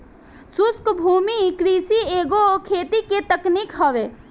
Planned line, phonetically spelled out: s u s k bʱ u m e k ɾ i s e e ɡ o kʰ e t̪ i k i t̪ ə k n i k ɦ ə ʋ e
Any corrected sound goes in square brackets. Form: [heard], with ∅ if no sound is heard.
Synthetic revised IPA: s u s k bʱ u m [i] k ɾ i s [i] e ɡ o kʰ e t̪ i k [e] t̪ ə k n i k ɦ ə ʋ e